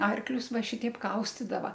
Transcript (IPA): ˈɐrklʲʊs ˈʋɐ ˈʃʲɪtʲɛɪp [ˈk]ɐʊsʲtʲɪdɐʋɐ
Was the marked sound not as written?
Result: no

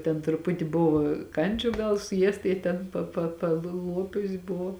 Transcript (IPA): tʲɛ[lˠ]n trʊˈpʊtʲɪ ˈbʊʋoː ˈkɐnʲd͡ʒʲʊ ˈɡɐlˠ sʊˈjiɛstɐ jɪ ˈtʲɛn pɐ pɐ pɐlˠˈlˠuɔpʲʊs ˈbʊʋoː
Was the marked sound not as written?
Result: yes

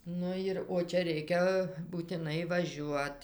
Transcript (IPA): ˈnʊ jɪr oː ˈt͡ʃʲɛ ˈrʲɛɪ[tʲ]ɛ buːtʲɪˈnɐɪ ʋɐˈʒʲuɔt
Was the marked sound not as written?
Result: yes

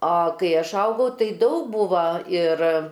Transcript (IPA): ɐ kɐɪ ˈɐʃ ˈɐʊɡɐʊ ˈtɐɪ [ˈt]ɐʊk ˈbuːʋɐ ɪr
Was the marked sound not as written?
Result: yes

